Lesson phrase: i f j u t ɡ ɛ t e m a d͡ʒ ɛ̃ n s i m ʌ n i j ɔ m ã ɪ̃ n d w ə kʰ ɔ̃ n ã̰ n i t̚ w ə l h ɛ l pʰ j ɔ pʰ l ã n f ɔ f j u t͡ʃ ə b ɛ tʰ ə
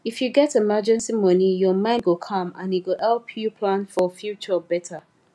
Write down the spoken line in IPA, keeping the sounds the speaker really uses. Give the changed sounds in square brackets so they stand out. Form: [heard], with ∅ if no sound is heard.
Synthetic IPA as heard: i f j u [∅] ɡ ɛ t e m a d͡ʒ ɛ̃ n s i m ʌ n i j ɔ m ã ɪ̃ n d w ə kʰ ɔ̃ [m] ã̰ n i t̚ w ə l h ɛ l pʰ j [u] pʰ l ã n f ɔ f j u t͡ʃ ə b ɛ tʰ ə